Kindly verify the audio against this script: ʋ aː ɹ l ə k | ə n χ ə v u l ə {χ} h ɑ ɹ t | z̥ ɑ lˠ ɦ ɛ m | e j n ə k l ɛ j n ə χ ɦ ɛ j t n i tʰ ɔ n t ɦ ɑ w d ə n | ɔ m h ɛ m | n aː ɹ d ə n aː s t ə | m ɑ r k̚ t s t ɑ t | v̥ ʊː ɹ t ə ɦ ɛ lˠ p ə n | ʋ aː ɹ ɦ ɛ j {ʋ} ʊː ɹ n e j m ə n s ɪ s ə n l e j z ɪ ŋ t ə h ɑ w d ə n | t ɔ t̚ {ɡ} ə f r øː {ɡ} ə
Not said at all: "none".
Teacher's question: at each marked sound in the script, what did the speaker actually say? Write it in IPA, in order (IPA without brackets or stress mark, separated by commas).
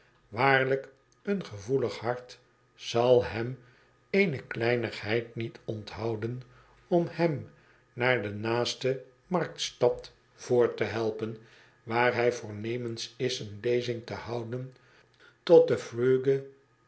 χ, v, d, ɡ